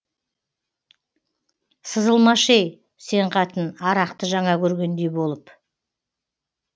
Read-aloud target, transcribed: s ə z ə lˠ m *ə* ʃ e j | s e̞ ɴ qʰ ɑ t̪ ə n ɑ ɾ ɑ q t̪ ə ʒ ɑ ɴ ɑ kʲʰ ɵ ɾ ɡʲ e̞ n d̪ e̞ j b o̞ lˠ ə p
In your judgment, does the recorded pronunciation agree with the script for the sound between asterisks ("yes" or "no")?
no